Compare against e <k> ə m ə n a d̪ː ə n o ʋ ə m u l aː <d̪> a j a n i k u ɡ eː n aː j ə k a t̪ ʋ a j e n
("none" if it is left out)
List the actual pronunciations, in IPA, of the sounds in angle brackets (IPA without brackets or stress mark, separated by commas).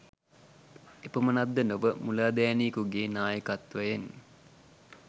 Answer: p, d̪